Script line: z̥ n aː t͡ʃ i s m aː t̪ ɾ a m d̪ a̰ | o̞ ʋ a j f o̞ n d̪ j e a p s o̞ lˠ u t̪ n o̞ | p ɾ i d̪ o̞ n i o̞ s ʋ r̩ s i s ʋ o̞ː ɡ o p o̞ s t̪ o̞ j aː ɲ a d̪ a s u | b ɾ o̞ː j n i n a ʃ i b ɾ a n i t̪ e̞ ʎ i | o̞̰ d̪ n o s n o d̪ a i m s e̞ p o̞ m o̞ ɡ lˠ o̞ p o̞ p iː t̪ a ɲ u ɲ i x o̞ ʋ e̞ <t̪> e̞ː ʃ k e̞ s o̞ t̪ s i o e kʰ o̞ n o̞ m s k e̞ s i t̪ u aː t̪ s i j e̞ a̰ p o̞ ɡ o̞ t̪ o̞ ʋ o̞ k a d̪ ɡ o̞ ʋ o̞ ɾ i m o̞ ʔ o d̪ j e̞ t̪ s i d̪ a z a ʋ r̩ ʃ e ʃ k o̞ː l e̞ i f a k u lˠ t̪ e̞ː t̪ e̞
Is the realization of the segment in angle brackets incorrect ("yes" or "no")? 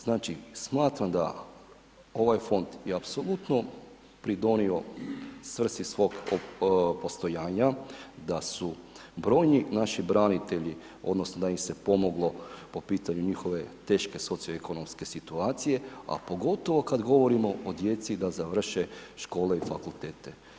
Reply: no